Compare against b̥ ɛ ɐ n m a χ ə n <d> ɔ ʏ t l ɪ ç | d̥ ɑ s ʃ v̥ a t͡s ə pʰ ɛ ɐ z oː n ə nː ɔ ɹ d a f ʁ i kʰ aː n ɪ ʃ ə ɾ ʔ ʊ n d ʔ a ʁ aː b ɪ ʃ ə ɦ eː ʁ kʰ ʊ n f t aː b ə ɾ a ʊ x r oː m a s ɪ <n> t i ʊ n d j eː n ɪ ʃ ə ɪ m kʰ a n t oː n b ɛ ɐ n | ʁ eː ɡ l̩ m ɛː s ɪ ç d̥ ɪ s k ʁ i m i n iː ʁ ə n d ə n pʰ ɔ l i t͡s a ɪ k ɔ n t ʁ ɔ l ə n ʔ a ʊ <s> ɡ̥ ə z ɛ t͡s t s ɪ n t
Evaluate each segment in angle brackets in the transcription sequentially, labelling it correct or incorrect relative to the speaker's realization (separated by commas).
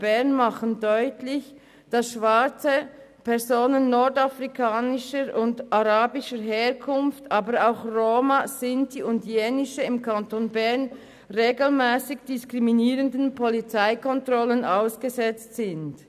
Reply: correct, correct, correct